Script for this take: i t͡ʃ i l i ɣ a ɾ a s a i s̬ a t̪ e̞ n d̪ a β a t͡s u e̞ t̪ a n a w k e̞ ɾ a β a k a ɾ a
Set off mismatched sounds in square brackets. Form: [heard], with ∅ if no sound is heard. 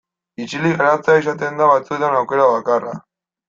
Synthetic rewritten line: i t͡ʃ i l i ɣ a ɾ a [t͡s] a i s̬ a t̪ e̞ n d̪ a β a t͡s u e̞ t̪ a n a w k e̞ ɾ a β a k a [r] a